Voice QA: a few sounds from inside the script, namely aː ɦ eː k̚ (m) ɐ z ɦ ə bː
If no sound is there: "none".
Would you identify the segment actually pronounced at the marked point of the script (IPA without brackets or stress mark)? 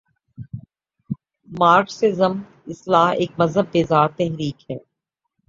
m